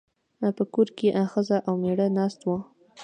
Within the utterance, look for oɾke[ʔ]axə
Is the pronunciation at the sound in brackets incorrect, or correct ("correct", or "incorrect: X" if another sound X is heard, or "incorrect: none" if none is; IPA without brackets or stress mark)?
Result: correct